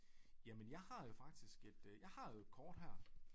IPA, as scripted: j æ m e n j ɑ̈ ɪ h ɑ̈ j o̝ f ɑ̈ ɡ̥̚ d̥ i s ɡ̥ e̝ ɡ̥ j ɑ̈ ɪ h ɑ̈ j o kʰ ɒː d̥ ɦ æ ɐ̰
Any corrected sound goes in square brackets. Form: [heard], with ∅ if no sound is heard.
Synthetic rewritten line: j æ m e n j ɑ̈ ɪ h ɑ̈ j o̝ f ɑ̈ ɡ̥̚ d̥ i s ɡ̥ e̝ [d̥] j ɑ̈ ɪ h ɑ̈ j o kʰ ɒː d̥ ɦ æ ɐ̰